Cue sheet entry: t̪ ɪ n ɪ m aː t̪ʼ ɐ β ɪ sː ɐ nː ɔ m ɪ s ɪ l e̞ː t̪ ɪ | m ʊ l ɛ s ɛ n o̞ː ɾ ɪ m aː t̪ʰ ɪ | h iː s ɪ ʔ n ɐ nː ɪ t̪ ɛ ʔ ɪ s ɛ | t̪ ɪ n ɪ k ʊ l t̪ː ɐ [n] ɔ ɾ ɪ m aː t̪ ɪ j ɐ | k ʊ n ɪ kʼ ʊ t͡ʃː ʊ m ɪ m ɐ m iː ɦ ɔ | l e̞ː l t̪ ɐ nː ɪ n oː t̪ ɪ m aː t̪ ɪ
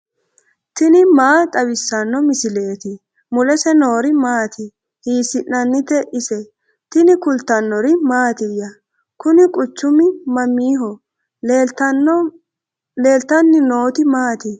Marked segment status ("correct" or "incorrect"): incorrect